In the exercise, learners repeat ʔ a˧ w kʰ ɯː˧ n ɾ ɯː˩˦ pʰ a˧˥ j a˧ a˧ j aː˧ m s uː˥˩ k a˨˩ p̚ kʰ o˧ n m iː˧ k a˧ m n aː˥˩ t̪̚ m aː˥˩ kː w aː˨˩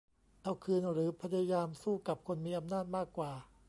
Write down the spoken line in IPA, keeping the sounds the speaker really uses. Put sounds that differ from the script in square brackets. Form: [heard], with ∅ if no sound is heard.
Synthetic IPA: ʔ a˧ w kʰ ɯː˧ n ɾ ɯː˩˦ pʰ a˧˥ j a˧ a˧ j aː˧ m s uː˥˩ k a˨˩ p̚ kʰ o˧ n m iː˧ [ʔ] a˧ m n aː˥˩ t̪̚ m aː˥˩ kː w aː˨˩